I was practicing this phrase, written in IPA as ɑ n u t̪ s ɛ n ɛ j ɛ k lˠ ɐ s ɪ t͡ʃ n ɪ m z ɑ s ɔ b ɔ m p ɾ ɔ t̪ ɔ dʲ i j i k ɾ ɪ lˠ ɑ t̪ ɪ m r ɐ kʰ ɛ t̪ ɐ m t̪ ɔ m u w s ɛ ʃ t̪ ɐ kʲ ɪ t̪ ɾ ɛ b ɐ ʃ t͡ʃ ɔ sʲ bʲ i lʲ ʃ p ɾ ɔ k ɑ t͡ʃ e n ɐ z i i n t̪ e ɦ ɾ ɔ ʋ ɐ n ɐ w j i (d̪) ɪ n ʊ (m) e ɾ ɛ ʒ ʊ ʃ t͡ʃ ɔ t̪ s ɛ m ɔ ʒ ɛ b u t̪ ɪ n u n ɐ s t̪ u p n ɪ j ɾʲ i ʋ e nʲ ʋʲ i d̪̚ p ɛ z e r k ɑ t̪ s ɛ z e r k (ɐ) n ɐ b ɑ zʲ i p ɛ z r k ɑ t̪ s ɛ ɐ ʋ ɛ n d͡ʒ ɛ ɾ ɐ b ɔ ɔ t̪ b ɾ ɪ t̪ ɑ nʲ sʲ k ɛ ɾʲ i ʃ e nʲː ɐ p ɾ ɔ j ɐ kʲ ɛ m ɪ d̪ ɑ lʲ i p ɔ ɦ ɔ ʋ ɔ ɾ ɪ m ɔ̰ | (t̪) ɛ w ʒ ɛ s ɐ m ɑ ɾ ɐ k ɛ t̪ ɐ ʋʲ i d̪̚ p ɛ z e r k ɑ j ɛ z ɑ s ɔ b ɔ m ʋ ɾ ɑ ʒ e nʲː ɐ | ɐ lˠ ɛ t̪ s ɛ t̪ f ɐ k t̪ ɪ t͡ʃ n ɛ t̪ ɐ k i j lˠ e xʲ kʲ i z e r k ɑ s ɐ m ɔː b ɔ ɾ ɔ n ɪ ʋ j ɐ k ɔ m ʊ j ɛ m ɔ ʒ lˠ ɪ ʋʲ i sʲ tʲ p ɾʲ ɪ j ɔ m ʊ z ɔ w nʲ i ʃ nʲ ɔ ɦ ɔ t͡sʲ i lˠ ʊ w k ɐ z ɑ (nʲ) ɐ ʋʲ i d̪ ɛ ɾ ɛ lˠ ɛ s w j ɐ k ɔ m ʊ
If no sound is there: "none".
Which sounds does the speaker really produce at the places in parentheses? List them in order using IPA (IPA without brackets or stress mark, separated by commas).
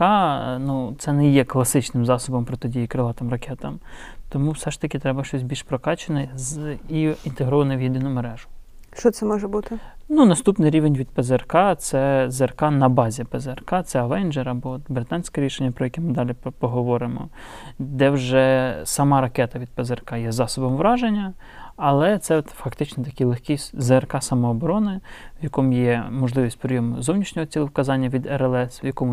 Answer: d̪, m, ɑ, d̪, nʲː